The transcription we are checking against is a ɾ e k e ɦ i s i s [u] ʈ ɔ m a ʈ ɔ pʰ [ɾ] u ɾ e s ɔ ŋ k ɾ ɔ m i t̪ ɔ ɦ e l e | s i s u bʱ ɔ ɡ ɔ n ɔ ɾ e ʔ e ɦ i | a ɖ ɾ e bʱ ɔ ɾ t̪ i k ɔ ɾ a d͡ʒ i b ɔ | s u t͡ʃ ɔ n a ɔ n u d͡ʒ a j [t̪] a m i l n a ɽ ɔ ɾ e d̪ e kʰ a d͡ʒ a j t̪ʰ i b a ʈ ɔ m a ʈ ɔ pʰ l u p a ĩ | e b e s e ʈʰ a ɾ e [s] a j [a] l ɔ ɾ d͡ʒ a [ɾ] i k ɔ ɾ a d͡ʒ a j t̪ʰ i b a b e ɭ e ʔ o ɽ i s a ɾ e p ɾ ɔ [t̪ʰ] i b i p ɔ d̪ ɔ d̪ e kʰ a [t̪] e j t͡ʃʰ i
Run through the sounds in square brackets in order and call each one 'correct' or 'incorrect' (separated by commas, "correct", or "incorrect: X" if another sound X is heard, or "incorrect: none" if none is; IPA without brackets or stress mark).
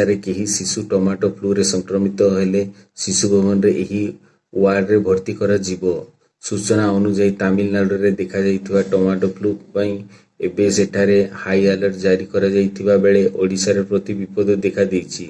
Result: correct, incorrect: l, correct, incorrect: h, correct, correct, incorrect: t̪, incorrect: d̪